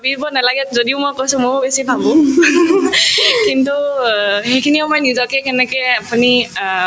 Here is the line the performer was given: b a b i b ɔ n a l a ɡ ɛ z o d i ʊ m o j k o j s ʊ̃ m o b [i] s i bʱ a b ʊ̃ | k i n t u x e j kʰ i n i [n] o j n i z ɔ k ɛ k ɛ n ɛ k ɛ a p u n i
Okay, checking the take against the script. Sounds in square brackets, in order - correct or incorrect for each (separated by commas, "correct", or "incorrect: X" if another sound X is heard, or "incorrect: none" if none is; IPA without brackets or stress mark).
incorrect: e, incorrect: m